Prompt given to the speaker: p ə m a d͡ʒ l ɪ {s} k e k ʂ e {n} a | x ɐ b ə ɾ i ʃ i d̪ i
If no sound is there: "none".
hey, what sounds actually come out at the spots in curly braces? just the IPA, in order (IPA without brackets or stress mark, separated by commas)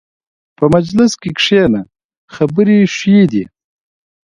s, n